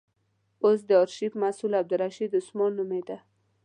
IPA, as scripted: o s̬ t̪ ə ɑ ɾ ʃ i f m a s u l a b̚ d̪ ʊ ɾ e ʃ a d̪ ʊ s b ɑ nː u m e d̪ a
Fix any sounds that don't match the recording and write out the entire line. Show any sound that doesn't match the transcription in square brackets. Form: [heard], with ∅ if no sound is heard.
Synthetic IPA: o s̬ [d̪] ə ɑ ɾ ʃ i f m a s u l a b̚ d̪ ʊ ɾ [a] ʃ [i] d̪ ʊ s [m] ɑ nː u m e d̪ a